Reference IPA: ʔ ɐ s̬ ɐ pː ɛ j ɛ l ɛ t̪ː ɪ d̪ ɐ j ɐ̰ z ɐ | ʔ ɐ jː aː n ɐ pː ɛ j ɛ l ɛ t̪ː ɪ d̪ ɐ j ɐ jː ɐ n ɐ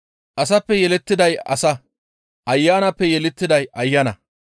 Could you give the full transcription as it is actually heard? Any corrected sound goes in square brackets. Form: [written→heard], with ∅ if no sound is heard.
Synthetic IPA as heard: ʔ ɐ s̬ ɐ pː ɛ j ɛ l ɛ t̪ː ɪ d̪ ɐ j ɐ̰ [z→s] ɐ | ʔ ɐ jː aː n ɐ pː ɛ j ɛ l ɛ t̪ː ɪ d̪ ɐ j ɐ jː ɐ n ɐ